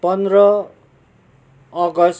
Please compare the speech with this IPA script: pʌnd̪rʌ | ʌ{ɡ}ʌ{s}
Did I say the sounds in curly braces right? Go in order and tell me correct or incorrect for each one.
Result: correct, correct

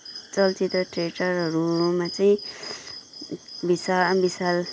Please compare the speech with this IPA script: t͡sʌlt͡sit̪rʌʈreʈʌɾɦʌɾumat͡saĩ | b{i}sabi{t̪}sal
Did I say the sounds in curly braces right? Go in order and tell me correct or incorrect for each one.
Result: correct, incorrect

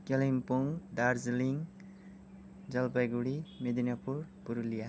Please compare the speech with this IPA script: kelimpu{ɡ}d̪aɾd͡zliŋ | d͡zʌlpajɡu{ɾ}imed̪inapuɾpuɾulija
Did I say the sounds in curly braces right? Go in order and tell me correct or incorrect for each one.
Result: incorrect, incorrect

